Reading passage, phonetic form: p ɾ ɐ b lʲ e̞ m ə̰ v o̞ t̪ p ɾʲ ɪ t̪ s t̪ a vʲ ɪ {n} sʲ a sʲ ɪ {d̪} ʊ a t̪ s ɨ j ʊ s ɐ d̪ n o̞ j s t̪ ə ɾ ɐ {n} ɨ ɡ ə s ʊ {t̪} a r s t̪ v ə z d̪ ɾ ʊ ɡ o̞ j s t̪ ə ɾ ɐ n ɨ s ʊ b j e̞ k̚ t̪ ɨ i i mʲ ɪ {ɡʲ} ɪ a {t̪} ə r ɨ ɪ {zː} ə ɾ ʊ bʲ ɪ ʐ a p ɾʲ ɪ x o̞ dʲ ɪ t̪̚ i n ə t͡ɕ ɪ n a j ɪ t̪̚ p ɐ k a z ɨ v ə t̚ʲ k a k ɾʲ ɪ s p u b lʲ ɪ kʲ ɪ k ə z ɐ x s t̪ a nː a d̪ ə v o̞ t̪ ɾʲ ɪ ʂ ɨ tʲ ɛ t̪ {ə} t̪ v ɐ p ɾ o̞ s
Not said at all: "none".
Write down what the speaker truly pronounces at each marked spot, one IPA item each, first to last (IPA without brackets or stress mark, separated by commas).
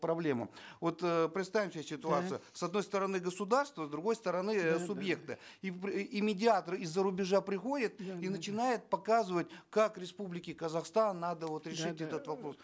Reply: m, t̪, n, d̪, dʲ, t̪, zː, ə